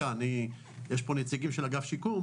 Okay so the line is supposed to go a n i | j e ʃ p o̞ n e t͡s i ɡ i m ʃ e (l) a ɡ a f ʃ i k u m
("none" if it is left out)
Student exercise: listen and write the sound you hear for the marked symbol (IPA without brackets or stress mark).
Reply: l